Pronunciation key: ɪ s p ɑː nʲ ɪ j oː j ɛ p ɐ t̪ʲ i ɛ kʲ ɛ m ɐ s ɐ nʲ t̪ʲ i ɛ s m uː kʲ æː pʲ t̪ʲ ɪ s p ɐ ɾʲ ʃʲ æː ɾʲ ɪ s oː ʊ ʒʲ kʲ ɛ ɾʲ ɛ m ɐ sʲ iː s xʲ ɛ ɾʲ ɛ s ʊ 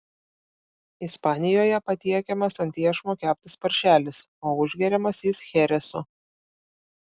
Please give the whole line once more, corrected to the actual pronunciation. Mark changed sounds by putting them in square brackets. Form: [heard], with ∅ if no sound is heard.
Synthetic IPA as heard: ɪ s p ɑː nʲ ɪ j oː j ɛ p ɐ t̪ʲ i ɛ kʲ ɛ m ɐ s ɐ nʲ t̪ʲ i ɛ [ʃ] m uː kʲ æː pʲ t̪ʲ ɪ s p ɐ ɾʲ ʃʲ æː [lʲ] ɪ s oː ʊ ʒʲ [ɡʲ] ɛ ɾʲ ɛ m ɐ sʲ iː s xʲ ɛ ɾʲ ɛ s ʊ